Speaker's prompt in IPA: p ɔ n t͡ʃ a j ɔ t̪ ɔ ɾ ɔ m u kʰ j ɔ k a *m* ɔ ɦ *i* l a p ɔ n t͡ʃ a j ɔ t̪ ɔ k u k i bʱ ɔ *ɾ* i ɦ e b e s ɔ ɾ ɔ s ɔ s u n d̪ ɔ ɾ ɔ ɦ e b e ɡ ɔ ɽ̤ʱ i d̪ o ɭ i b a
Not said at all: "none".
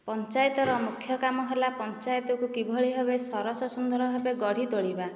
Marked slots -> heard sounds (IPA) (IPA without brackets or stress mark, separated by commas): m, e, ɭ